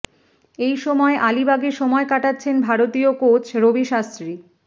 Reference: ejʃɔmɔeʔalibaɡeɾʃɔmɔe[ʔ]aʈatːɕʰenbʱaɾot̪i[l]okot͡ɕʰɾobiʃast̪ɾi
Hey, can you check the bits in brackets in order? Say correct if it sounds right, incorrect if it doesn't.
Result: incorrect: k, incorrect: none

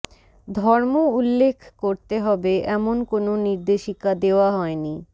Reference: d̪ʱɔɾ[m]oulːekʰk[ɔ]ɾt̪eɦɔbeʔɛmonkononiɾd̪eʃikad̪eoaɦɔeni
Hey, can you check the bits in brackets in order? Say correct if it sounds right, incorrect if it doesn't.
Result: correct, incorrect: o

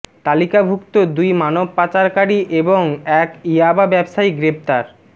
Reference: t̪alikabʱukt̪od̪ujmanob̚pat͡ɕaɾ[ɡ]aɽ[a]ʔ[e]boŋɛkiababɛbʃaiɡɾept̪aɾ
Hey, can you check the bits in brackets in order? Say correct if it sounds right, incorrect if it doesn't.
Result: incorrect: k, incorrect: i, correct

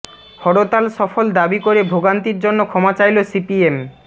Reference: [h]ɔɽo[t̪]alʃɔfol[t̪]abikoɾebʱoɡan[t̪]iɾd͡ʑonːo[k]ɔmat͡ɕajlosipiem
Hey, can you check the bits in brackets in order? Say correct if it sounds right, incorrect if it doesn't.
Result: correct, correct, incorrect: d̪, correct, incorrect: kʰ

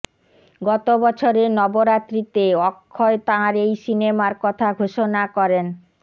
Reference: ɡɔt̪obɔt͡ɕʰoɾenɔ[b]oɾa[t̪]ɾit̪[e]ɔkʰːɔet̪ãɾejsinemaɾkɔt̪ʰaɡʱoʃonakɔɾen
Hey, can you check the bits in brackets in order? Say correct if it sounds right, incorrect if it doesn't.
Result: correct, correct, correct

